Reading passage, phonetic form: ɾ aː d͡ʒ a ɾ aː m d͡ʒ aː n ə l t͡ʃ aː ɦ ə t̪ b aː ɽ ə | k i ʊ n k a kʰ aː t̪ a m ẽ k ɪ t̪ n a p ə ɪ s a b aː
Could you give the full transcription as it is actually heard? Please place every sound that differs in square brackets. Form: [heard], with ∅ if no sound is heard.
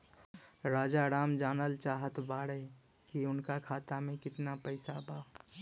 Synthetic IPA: ɾ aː d͡ʒ a ɾ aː m d͡ʒ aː n ə l t͡ʃ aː ɦ ə t̪ b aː ɽ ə | k i ʊ n k a kʰ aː t̪ a m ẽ k ɪ t̪ n a p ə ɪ s a b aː